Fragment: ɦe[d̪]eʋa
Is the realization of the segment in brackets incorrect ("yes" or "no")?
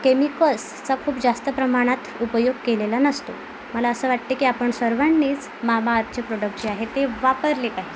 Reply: yes